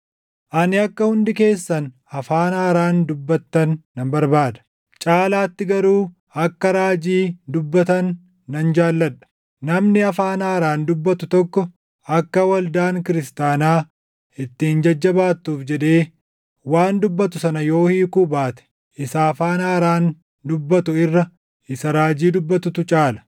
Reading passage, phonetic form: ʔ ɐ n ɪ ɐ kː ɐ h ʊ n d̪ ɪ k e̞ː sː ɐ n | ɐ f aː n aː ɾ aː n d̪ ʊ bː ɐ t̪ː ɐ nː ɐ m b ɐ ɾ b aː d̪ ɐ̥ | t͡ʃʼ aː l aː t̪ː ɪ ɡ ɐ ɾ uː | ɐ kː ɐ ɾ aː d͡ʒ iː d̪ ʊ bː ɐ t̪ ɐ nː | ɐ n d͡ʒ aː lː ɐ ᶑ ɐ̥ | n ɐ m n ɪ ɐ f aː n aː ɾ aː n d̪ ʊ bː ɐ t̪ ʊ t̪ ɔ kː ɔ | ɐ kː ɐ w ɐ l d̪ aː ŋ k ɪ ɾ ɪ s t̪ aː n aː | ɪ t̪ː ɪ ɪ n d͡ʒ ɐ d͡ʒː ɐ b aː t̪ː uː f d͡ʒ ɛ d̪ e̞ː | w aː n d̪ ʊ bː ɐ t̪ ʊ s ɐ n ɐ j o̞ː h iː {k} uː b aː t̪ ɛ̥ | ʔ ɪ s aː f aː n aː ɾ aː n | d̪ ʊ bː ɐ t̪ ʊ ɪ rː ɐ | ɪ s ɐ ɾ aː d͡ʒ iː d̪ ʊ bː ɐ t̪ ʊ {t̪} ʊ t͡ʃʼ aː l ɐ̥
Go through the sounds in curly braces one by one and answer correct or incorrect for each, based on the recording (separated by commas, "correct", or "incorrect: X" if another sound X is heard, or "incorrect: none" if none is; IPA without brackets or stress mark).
correct, correct